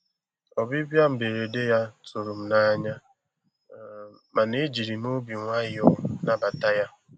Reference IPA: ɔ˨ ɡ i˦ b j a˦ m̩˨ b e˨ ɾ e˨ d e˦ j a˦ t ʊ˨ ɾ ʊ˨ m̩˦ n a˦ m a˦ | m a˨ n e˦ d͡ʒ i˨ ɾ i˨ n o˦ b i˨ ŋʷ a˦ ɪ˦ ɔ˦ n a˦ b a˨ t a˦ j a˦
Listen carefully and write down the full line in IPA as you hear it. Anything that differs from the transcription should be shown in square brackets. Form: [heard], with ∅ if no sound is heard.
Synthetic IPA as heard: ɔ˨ [b] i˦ b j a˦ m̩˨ b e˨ ɾ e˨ d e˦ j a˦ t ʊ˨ ɾ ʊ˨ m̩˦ n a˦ [ɲ] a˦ | m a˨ n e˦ d͡ʒ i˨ ɾ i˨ n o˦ b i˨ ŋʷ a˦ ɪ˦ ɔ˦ n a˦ b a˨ t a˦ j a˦